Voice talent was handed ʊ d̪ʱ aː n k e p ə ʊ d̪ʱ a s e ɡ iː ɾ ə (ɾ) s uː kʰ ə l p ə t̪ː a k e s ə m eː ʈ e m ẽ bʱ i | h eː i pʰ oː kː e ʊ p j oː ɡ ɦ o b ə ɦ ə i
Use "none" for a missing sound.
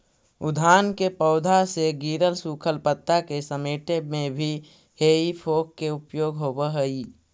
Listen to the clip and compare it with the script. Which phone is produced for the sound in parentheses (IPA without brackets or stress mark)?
l